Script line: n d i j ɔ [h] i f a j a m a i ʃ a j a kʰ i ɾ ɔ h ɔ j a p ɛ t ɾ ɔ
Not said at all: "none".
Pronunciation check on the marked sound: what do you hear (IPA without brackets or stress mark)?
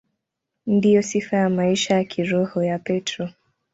s